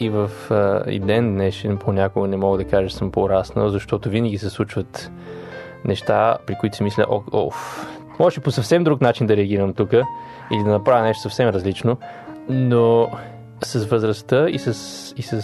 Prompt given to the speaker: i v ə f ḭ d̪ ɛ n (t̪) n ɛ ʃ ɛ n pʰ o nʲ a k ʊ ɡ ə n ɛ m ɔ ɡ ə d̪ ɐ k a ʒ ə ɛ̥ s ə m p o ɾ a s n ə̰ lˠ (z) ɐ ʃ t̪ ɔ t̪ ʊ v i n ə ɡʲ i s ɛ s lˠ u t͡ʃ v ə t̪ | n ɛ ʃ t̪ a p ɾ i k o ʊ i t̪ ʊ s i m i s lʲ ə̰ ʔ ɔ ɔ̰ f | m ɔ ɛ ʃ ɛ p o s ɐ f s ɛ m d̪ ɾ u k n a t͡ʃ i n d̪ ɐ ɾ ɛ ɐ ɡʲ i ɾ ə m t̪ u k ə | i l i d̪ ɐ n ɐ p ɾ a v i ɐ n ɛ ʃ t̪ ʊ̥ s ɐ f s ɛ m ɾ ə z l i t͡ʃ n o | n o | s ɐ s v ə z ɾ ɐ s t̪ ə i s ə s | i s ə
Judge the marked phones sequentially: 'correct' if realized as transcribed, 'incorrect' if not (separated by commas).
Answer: incorrect, correct